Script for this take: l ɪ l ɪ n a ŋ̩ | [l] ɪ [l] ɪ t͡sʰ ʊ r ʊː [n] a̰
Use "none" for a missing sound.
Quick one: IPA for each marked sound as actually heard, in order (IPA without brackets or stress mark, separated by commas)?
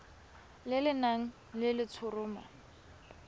l, l, m